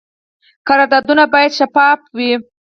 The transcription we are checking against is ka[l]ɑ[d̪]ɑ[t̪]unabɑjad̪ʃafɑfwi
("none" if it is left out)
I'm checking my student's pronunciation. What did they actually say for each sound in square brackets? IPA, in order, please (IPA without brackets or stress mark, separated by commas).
ɾ, d̪, d̪